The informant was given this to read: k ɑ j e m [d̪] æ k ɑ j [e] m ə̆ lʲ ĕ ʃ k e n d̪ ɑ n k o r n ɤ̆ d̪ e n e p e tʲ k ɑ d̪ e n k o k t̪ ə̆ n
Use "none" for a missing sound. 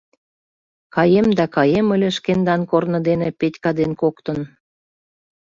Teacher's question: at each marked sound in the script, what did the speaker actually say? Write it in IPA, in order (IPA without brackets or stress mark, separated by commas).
d̪, e